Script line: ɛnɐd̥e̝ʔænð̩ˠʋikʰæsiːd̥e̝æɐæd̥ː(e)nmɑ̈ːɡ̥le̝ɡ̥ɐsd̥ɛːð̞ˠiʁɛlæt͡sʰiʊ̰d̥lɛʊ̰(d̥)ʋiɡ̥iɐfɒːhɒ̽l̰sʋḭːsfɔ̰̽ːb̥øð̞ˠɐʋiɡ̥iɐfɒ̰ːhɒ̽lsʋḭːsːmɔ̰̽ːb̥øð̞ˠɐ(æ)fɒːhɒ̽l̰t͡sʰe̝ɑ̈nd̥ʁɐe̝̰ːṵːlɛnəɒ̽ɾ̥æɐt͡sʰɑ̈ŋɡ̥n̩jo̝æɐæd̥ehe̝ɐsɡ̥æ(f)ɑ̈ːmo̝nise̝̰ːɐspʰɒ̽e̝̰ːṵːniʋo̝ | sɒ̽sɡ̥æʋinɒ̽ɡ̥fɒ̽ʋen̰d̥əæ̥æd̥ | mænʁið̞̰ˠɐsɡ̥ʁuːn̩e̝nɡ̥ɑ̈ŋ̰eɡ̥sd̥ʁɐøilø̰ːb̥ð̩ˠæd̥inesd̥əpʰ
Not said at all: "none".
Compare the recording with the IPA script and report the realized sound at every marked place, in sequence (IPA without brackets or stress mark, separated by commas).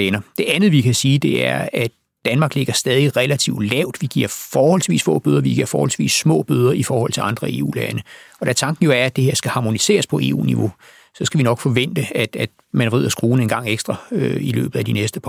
æ, d̥, i, h